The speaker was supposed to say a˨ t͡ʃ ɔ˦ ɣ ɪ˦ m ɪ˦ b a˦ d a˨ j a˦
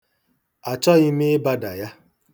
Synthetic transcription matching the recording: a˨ t͡ʃ ɔ˦ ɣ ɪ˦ m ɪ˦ b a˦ d a˨ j a˦